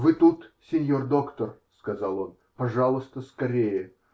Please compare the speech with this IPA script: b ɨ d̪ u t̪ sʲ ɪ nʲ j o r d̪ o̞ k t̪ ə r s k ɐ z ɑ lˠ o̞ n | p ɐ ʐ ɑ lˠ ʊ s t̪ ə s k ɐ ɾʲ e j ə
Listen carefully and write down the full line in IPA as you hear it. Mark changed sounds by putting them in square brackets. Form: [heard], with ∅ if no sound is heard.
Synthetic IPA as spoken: [v] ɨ [t̪] u t̪ sʲ ɪ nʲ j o r d̪ o̞ k t̪ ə r s k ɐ z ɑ lˠ o̞ n | p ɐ ʐ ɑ lˠ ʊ s t̪ ə s k ɐ ɾʲ e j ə

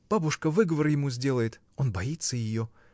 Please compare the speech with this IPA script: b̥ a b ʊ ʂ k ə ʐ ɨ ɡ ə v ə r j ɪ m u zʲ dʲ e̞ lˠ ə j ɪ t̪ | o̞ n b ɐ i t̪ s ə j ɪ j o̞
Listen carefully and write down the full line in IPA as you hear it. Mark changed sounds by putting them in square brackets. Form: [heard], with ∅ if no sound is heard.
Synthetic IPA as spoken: b̥ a b ʊ ʂ k ə [v] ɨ ɡ ə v ə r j ɪ m u zʲ dʲ e̞ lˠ ə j ɪ t̪ | o̞ n b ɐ i t̪ s ə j ɪ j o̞

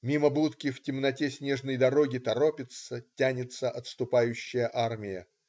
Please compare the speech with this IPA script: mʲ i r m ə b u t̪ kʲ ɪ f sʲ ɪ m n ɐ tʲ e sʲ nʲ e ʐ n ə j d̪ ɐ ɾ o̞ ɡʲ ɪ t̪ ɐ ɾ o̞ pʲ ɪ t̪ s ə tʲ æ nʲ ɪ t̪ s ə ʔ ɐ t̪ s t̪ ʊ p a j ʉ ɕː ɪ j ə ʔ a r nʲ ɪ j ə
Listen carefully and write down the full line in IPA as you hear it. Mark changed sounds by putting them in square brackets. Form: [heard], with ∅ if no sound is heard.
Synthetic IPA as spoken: mʲ i [∅] m ə b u t̪ kʲ ɪ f [tʲ] ɪ m n ɐ tʲ e sʲ nʲ e ʐ n ə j d̪ ɐ ɾ o̞ ɡʲ ɪ t̪ ɐ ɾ o̞ pʲ ɪ t̪ s ə tʲ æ nʲ ɪ t̪ s ə ʔ ɐ t̪ s t̪ ʊ p a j ʉ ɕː ɪ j ə ʔ a r [mʲ] ɪ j ə

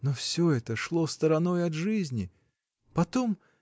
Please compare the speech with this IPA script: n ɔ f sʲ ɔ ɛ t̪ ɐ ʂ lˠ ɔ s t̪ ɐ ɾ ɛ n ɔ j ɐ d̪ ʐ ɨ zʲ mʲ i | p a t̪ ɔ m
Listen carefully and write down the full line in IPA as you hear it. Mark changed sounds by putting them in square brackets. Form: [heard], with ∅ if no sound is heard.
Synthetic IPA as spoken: n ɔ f sʲ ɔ ɛ t̪ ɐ ʂ lˠ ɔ s t̪ ɐ ɾ [a] n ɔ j ɐ d̪ ʐ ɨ zʲ [nʲ] i | p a t̪ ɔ m

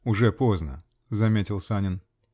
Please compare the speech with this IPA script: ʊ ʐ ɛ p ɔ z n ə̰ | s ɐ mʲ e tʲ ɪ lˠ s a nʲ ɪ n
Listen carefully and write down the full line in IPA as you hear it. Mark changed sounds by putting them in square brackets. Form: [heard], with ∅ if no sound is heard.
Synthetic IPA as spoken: ʊ ʐ ɛ p [o] z n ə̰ | [z] ɐ mʲ e tʲ ɪ lˠ s a nʲ ɪ n

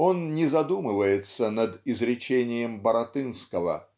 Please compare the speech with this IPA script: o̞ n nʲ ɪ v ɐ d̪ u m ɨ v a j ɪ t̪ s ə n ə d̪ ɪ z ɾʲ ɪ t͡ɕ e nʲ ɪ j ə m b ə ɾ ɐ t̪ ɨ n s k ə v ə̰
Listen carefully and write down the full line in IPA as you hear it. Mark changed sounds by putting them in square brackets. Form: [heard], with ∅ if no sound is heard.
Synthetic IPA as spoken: o̞ n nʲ ɪ [z] ɐ d̪ u m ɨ v [ə] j ɪ t̪ s ə n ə d̪ ɪ z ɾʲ ɪ t͡ɕ e nʲ ɪ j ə m b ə ɾ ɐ t̪ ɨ n s k ə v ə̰

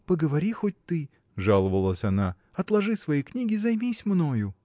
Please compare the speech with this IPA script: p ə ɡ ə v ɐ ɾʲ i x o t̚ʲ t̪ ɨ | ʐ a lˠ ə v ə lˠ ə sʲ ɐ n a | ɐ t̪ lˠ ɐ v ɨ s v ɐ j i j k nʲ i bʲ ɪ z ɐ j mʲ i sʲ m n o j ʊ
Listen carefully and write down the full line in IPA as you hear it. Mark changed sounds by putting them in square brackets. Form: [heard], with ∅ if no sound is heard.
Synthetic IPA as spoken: p ə ɡ ə v ɐ ɾʲ i x o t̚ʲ t̪ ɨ | ʐ a lˠ ə v ə lˠ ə sʲ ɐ n a | ɐ t̪ lˠ ɐ [ʐ] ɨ s v ɐ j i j k nʲ i [ɡʲ] ɪ z ɐ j mʲ i sʲ m n o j ʊ

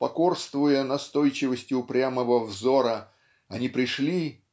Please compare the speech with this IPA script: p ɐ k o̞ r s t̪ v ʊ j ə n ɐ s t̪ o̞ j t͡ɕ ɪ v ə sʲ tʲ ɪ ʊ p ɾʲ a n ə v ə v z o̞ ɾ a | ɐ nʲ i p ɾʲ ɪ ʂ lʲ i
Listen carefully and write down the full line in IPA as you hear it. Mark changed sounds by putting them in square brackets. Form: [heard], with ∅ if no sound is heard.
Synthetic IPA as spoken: p ɐ k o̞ r s t̪ v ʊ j ə n ɐ s t̪ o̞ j t͡ɕ ɪ v ə sʲ tʲ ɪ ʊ p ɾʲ a [m] ə v ə v z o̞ ɾ [ə] | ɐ nʲ i p ɾʲ ɪ ʂ lʲ i

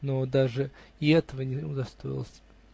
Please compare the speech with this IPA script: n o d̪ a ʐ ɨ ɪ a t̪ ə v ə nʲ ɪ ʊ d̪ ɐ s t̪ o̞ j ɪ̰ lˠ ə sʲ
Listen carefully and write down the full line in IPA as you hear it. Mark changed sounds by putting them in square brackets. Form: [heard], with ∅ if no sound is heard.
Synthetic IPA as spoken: n o d̪ a ʐ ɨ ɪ [ɛ] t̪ ə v ə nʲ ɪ ʊ d̪ ɐ s t̪ o̞ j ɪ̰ lˠ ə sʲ

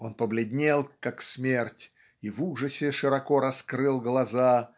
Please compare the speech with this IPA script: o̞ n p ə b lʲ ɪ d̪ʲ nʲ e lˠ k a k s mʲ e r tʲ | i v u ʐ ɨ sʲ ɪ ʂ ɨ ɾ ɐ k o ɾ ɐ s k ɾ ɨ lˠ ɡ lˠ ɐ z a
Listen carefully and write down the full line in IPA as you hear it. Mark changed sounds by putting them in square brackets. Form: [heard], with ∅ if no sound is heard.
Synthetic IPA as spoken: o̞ n p ə b lʲ ɪ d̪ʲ nʲ e lˠ k a k s mʲ e r tʲ | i v u ʐ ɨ sʲ ɪ ʂ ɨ ɾ ɐ k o ɾ ɐ s k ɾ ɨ lˠ ɡ lˠ ɐ z a

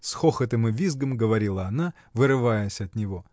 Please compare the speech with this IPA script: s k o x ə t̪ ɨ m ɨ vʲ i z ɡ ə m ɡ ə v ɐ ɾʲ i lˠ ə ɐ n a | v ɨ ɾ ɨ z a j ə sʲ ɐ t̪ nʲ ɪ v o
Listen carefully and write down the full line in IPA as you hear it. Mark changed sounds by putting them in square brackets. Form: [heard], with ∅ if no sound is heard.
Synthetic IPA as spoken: s [x] o x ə t̪ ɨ m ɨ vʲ i z ɡ ə m ɡ ə v ɐ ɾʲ i lˠ ə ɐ n a | v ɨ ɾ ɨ [v] a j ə sʲ ɐ t̪ nʲ ɪ v o

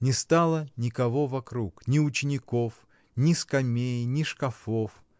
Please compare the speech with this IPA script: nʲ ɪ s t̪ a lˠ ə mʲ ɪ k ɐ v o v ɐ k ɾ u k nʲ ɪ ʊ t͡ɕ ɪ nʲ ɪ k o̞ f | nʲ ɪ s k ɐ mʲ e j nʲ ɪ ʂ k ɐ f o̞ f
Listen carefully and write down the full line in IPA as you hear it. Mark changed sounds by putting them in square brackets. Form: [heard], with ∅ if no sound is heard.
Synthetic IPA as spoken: nʲ ɪ s t̪ a lˠ ə [nʲ] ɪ k ɐ v o v ɐ k ɾ u k nʲ ɪ ʊ t͡ɕ ɪ nʲ ɪ k o̞ f | nʲ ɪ s k ɐ mʲ e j nʲ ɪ ʂ k ɐ f o̞ f

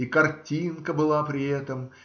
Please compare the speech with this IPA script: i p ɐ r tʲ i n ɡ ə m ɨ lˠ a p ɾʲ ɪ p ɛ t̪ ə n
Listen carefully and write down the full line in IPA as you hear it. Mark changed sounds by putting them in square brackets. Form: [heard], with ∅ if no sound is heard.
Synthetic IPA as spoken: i [k] ɐ r tʲ i n [k] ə [b] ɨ lˠ a p ɾʲ ɪ [∅] ɛ t̪ ə [m]

